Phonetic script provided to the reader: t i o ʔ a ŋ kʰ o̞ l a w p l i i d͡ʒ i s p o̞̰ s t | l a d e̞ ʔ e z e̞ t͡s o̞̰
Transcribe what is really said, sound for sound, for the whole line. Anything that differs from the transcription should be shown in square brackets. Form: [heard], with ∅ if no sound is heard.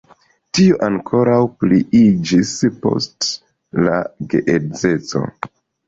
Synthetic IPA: t i o ʔ a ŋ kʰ o̞ [ɾ] a w p l i i d͡ʒ i s p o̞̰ s t | l a [ɡ] e̞ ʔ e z e̞ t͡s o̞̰